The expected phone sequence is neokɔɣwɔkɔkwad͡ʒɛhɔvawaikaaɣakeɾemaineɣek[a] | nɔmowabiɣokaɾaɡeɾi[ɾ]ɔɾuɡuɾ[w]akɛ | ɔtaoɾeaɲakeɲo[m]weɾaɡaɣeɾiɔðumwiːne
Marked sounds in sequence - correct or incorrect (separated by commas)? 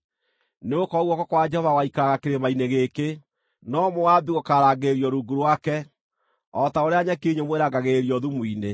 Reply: incorrect, incorrect, correct, correct